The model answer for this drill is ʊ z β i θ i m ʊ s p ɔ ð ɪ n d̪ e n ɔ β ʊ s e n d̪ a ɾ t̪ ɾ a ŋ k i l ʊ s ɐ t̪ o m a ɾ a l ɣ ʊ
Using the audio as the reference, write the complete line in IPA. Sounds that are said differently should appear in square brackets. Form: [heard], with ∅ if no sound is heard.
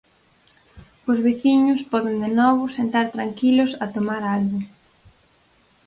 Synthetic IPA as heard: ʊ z β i θ i [ɲ] ʊ s p ɔ ð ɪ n d̪ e n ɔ β ʊ s e n [t̪] a ɾ t̪ ɾ a ŋ k i l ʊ s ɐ t̪ o m a ɾ a l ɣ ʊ